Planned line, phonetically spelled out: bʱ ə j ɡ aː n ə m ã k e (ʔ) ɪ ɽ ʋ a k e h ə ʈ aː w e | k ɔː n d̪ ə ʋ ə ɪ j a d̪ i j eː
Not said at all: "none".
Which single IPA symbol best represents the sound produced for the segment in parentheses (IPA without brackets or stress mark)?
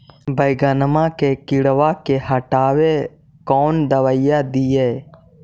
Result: k